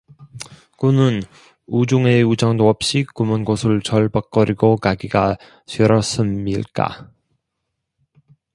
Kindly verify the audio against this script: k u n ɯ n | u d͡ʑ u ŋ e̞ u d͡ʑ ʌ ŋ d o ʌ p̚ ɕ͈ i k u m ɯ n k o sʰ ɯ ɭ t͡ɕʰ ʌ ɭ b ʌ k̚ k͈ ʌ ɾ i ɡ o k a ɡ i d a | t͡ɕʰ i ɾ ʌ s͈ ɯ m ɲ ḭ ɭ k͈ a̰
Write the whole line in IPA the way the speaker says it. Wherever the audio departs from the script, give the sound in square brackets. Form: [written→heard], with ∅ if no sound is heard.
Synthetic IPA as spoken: k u n ɯ n | u d͡ʑ u ŋ e̞ u d͡ʑ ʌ ŋ d o ʌ p̚ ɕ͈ i k u m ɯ n [k→ɡ] o sʰ ɯ ɭ [t͡ɕʰ→t͡ɕ] ʌ ɭ b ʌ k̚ k͈ ʌ ɾ i ɡ o k a ɡ i [d→ɡ] a | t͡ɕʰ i ɾ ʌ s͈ ɯ m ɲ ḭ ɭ k͈ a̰